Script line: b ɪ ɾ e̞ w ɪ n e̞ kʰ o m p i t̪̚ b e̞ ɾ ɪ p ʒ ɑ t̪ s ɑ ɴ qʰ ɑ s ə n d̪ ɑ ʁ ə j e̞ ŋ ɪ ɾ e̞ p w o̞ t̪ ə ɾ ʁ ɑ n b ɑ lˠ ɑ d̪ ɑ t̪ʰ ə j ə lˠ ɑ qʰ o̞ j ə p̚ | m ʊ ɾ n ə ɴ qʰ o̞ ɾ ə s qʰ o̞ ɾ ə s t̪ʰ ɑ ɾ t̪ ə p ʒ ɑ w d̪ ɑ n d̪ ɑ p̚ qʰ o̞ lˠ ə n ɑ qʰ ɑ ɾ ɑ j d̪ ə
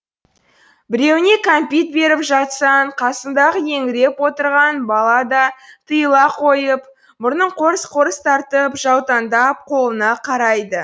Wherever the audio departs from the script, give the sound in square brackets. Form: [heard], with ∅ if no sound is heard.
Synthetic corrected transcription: b ɪ ɾ e̞ w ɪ n e̞ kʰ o m p i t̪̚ b e̞ ɾ ɪ p ʒ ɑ t̪ s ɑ ɴ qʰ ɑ s ə n d̪ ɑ ʁ ə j e̞ ŋ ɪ ɾ e̞ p w o̞ t̪ ə ɾ ʁ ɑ n b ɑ lˠ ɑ d̪ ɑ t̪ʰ ə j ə lˠ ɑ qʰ o̞ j ə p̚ | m ʊ ɾ n ə ɴ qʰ o̞ ɾ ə s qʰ o̞ ɾ ə s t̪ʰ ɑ ɾ t̪ ə p ʒ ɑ w [t̪] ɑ n d̪ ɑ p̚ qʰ o̞ lˠ ə n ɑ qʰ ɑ ɾ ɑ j d̪ ə